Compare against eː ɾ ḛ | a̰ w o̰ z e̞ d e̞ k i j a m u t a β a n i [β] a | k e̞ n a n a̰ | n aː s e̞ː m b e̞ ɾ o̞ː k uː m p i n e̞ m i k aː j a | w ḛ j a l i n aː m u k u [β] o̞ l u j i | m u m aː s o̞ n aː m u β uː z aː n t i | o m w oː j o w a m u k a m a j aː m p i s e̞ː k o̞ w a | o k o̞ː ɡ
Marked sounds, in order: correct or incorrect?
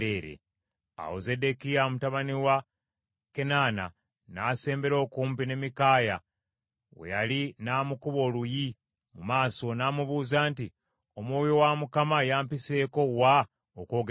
incorrect: w, correct

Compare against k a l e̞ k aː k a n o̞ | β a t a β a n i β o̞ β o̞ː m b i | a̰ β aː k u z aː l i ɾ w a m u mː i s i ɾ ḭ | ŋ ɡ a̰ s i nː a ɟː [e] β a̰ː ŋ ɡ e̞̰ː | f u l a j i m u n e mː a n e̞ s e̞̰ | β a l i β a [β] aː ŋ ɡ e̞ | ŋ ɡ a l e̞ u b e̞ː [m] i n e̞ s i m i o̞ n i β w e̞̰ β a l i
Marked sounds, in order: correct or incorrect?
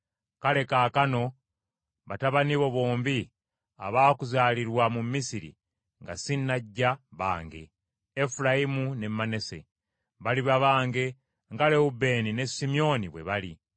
incorrect: a, correct, incorrect: n

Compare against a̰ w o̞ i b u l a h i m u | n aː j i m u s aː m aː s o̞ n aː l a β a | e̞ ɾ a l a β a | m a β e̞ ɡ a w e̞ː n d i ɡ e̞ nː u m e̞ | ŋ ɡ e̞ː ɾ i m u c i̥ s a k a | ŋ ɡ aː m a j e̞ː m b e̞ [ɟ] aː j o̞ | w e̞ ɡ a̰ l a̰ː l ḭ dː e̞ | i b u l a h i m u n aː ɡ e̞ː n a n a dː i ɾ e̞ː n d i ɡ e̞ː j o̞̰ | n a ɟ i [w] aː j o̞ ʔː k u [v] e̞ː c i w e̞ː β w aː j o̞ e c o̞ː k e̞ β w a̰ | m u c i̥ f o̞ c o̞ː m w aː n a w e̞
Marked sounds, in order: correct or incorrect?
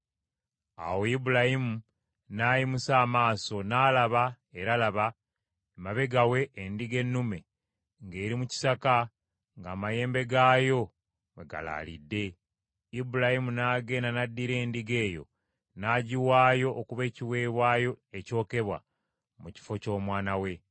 incorrect: ɡ, correct, incorrect: β

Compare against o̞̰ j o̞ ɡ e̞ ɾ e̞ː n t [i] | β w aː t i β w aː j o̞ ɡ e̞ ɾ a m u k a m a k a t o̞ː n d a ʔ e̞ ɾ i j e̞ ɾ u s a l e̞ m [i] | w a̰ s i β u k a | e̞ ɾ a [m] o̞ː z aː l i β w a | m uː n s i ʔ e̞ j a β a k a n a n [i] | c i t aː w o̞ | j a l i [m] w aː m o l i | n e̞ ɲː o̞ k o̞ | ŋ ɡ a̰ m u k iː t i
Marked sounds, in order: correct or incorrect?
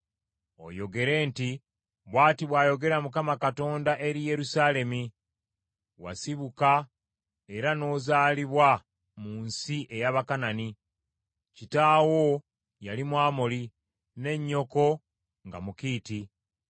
correct, correct, incorrect: n, correct, correct

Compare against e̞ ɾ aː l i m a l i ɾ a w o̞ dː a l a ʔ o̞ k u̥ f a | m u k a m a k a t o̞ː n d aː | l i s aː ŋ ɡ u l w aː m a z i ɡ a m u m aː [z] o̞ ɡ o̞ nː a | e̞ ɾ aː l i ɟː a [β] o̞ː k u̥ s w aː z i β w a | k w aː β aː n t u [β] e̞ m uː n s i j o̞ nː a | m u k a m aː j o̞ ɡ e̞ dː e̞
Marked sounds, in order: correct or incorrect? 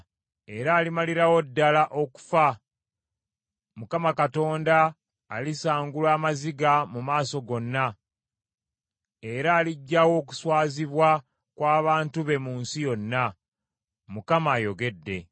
incorrect: s, incorrect: w, correct

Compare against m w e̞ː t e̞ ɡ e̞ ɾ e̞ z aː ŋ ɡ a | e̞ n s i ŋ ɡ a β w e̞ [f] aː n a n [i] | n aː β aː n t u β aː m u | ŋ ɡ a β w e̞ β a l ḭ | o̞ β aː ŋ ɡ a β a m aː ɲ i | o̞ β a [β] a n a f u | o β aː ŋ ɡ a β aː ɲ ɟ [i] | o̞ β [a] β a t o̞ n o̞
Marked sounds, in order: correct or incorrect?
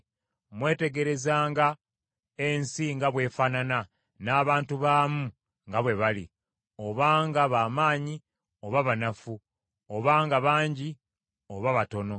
correct, incorrect: a, correct, correct, correct

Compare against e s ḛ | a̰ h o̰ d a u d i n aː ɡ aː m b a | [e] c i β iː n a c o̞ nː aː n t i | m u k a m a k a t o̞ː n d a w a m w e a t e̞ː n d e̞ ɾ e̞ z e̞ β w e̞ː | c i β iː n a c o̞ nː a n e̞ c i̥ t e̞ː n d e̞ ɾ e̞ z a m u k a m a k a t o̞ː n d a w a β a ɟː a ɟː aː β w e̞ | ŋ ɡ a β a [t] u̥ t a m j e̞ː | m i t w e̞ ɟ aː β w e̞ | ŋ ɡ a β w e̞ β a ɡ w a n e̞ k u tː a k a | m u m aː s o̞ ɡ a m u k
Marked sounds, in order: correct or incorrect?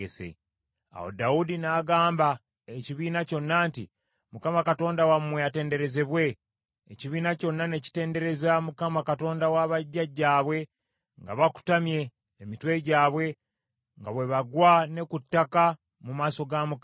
correct, incorrect: k

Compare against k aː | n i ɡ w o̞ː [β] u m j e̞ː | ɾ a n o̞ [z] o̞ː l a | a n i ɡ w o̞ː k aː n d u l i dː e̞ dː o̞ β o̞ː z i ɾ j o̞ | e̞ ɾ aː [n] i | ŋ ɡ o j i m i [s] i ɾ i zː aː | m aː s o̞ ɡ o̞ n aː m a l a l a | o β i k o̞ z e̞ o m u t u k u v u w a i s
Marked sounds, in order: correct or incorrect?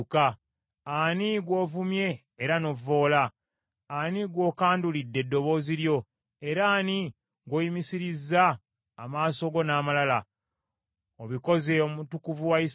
incorrect: v, incorrect: v, correct, correct

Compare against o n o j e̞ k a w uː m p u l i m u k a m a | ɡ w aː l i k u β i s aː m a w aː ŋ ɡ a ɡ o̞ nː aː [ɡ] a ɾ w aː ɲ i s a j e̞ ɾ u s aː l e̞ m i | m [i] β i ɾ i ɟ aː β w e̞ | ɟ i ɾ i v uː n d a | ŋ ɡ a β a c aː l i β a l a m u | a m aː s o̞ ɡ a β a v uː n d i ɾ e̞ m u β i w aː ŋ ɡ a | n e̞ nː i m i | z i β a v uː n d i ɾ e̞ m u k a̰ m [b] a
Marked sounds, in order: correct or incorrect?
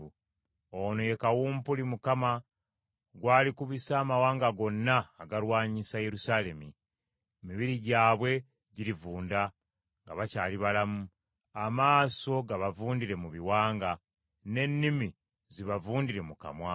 correct, correct, incorrect: w

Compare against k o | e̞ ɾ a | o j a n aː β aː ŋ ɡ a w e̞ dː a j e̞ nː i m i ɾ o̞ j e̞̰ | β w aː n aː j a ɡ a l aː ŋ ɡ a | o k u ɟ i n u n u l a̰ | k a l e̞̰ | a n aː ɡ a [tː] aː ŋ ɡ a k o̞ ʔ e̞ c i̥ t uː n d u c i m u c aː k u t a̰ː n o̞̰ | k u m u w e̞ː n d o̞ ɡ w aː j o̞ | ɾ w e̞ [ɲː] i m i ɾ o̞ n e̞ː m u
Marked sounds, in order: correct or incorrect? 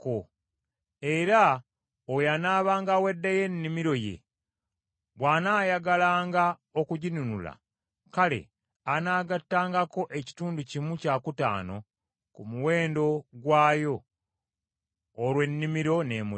correct, incorrect: nː

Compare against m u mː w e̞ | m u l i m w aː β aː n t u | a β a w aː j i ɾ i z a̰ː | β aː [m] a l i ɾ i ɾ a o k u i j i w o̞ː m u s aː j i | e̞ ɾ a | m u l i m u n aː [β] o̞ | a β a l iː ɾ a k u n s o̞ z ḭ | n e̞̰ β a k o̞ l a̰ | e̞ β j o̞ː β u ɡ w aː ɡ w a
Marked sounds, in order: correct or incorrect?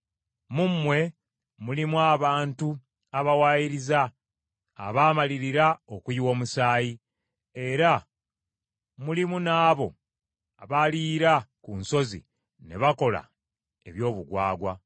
correct, correct

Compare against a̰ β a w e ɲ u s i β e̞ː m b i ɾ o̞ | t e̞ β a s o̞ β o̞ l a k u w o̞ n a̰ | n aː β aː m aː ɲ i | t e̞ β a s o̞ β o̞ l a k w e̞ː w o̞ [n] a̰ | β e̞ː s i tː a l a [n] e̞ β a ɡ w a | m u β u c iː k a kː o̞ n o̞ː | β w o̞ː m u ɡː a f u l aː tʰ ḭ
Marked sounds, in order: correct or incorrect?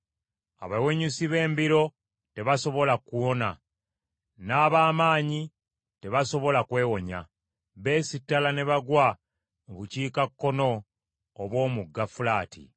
incorrect: ɲ, correct

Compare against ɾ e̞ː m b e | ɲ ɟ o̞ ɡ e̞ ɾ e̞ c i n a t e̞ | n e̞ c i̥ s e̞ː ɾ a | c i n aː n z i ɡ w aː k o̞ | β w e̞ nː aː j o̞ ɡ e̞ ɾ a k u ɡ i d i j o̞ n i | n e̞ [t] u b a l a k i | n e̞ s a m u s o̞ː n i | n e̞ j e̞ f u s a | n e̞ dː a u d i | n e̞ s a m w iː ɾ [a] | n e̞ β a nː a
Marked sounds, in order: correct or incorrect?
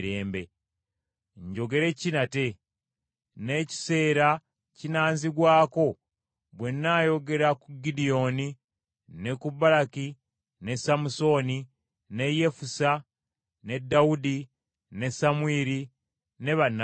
incorrect: k, incorrect: i

